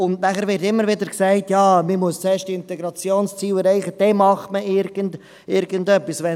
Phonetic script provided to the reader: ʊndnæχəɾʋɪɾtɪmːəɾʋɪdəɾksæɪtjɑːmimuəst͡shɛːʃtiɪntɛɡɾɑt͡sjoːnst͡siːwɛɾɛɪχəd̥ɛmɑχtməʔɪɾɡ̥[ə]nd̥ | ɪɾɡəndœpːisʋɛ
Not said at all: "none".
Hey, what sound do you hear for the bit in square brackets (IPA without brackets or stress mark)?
ə